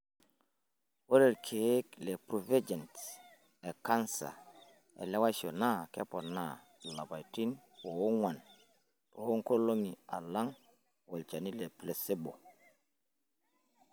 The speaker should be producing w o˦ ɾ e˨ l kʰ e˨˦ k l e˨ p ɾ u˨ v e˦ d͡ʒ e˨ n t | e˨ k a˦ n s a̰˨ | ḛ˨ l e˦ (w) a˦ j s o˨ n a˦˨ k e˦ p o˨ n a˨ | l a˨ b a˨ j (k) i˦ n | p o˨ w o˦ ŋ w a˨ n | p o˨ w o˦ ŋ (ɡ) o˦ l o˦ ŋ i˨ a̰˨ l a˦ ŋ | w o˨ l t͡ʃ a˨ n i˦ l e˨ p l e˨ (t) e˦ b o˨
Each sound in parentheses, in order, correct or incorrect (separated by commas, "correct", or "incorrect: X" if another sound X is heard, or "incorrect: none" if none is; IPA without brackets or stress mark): correct, incorrect: t, incorrect: k, incorrect: s